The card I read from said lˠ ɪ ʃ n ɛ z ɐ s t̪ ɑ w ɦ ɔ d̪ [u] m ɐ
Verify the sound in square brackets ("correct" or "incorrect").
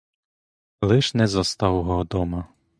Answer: incorrect